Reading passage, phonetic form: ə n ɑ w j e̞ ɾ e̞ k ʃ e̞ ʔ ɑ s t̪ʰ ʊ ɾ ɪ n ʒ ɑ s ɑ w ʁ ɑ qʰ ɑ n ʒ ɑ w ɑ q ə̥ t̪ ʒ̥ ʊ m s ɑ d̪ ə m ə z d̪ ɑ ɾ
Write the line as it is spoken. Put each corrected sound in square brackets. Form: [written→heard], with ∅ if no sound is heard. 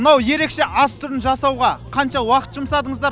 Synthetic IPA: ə n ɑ w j e̞ ɾ e̞ k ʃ e̞ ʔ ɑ s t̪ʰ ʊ ɾ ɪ n ʒ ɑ s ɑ w ʁ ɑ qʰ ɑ n [ʒ→ʃ] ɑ w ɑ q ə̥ t̪ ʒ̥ ʊ m s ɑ d̪ ə [m→ɴ] ə z d̪ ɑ ɾ